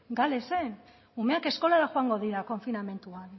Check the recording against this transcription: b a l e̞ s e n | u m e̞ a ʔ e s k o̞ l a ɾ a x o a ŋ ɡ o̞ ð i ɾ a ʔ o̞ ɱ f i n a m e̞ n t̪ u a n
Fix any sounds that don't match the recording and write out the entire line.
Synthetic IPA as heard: ɡ a l e̞ s e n | u m e̞ a k e s k o̞ l a ɾ a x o a ŋ ɡ o̞ ð i ɾ a k o̞ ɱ f i n a m e̞ n t̪ u a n